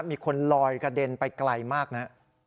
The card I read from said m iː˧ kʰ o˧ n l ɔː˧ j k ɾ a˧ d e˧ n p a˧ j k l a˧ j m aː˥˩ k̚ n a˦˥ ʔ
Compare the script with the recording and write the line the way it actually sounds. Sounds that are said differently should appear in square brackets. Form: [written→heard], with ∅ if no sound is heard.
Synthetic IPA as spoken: m iː˧ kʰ o˧ n l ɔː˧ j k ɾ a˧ d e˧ n p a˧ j k l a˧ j m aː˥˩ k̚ n a˦˥ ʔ